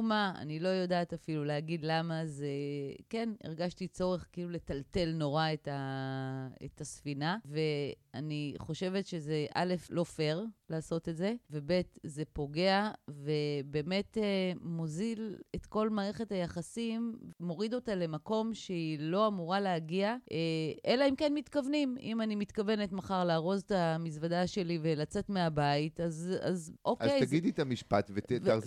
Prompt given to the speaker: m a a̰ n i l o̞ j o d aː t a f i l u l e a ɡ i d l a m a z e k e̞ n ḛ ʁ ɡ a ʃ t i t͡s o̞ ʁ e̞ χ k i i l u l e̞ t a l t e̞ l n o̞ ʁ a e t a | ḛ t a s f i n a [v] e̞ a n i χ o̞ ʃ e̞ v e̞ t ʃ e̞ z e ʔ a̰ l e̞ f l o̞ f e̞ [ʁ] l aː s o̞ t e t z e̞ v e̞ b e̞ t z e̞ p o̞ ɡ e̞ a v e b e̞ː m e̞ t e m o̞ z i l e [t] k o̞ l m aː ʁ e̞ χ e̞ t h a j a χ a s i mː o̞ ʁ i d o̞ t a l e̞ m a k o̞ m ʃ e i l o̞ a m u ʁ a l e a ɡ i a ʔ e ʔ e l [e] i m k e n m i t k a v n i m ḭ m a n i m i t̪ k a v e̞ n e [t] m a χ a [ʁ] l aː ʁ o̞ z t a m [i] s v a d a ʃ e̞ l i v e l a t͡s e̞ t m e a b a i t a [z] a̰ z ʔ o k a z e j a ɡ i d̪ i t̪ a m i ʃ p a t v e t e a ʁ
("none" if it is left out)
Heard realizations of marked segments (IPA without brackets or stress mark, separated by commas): v, ʁ, t, a, t, ʁ, i, z